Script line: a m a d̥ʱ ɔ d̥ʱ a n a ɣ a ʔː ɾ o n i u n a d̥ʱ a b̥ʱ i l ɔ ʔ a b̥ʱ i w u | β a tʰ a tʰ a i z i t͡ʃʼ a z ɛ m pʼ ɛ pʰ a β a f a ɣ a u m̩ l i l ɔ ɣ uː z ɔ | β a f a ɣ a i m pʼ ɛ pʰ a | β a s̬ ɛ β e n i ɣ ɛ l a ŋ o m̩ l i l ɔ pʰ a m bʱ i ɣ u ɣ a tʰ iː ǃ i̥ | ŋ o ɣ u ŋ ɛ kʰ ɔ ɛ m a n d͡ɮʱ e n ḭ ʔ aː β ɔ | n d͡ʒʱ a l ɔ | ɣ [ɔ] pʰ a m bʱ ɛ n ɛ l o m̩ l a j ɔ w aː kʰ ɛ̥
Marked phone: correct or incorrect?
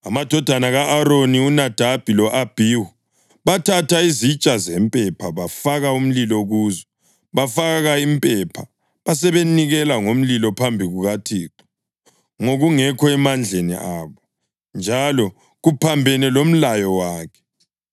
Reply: incorrect